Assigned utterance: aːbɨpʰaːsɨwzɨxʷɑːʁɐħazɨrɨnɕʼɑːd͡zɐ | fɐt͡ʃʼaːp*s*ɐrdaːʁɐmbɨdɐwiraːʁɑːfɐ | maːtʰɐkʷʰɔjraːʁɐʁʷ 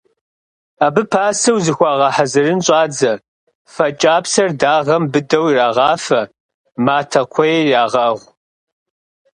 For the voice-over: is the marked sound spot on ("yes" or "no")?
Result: yes